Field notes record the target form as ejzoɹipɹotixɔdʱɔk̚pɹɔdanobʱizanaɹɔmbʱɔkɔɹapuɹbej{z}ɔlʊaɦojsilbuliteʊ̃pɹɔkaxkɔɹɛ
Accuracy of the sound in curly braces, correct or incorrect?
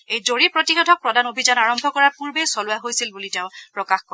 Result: incorrect